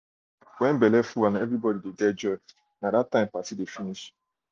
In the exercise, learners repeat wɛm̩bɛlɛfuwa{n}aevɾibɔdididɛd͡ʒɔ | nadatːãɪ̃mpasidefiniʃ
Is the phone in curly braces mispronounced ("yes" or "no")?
no